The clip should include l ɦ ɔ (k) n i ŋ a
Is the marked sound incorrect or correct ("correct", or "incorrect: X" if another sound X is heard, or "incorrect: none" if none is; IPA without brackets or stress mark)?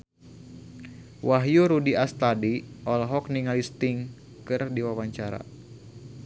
correct